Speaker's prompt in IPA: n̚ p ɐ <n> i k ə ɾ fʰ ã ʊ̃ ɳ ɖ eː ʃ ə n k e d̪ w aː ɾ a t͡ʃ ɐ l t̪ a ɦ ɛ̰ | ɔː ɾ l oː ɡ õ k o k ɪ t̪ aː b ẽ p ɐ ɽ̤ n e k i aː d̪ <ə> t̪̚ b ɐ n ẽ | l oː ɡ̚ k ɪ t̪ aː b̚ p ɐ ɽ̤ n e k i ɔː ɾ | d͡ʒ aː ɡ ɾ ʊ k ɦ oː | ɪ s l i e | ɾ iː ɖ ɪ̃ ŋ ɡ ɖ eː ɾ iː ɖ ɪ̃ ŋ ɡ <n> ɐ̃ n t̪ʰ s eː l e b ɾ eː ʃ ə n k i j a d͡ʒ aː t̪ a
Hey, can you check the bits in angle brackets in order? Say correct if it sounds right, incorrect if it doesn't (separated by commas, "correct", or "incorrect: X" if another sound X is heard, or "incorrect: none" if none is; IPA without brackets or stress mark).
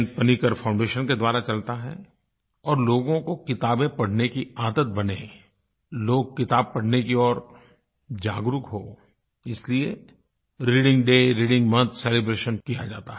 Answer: correct, correct, incorrect: m